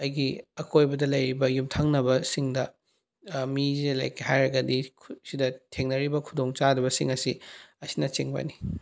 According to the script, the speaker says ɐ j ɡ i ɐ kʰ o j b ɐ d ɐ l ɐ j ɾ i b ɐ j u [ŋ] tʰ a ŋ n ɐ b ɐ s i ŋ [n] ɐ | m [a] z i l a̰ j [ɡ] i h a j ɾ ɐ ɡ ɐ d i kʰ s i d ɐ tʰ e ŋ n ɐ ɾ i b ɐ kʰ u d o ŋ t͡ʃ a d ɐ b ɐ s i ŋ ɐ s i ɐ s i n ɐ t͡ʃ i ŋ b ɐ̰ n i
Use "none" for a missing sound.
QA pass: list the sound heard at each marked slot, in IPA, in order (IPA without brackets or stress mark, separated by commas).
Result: m, d, i, k